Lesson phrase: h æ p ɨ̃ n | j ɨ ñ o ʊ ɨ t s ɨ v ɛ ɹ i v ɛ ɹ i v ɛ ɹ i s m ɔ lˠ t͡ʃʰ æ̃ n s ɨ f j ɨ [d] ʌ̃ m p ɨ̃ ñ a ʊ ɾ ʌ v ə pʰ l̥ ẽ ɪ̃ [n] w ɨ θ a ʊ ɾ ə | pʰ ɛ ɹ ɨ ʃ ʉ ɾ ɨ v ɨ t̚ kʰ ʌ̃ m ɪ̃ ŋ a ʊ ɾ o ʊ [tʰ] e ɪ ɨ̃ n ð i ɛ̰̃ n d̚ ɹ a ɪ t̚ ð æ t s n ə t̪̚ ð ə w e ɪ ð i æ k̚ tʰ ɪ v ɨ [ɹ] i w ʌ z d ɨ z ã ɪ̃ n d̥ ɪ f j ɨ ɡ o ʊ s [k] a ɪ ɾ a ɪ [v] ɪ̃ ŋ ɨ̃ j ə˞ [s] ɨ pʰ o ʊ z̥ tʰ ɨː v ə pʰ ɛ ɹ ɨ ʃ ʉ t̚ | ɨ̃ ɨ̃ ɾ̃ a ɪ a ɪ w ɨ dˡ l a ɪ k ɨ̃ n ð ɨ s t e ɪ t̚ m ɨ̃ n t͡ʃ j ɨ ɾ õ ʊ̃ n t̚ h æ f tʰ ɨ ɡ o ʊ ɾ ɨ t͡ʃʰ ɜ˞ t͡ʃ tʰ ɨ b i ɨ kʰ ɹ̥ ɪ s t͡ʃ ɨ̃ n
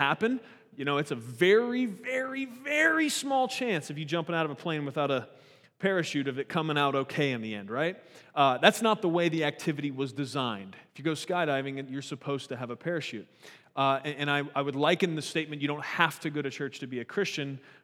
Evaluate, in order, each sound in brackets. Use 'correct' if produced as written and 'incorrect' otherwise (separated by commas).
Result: incorrect, correct, incorrect, incorrect, correct, correct, correct